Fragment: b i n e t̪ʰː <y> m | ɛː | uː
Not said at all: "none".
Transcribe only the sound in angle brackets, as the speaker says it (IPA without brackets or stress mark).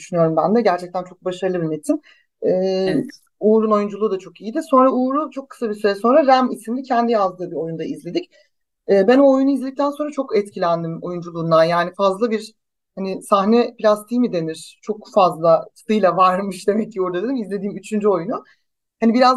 i